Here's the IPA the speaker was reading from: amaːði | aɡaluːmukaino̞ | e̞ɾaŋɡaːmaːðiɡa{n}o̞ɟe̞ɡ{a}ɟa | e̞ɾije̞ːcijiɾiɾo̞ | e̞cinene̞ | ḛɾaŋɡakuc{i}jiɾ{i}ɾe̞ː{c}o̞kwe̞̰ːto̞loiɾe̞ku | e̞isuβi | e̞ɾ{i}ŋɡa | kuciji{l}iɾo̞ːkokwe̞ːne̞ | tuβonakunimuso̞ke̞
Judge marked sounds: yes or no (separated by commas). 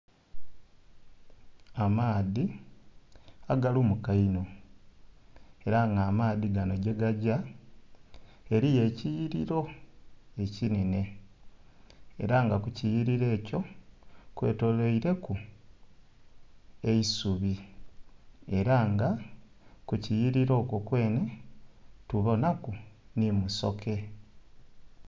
yes, yes, yes, yes, yes, no, no